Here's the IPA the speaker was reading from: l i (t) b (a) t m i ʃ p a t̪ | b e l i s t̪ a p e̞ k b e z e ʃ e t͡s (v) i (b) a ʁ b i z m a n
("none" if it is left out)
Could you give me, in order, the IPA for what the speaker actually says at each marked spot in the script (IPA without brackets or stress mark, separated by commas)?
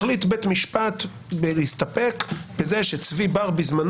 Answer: t, e, v, b